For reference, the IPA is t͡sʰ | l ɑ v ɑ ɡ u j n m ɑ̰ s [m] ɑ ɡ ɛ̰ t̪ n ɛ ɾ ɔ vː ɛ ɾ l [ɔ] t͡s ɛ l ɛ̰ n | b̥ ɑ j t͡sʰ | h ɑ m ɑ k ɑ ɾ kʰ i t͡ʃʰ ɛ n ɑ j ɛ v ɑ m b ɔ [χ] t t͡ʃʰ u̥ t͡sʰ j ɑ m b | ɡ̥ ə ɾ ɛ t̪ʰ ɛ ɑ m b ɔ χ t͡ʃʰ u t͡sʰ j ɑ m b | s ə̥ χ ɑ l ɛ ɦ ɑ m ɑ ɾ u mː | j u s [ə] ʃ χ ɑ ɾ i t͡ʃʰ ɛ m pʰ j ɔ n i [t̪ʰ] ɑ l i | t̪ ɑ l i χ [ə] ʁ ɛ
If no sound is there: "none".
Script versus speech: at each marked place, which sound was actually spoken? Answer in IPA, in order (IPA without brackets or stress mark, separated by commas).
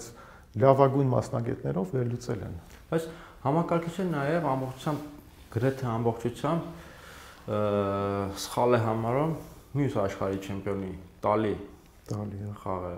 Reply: n, u, χ, ɑ, t̪, ɑ